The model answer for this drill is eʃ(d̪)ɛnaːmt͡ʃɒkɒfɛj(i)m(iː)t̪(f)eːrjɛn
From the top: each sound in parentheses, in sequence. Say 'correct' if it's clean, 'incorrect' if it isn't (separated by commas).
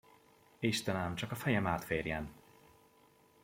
incorrect, incorrect, incorrect, correct